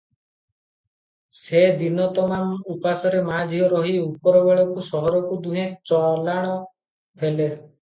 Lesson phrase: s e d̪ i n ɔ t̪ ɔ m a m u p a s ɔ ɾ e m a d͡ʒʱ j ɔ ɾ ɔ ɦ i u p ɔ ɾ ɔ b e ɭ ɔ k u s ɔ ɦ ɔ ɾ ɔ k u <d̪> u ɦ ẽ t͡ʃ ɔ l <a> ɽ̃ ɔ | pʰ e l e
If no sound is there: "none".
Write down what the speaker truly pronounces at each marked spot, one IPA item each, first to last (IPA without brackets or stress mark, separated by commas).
d̪, a